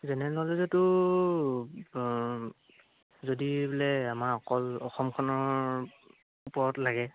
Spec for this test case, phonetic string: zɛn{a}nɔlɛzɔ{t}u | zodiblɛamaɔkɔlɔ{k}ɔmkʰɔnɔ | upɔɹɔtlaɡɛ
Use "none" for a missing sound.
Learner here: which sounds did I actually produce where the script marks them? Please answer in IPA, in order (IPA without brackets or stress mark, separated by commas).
ɛ, t, x